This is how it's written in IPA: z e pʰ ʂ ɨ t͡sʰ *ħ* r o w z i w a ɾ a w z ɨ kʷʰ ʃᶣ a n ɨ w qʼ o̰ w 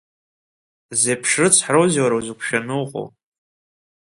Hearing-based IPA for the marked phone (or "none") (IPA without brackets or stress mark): ħ